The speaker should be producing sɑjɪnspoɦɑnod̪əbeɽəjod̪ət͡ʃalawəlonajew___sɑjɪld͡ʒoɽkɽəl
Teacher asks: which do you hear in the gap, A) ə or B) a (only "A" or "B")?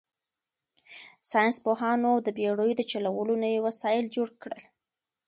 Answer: B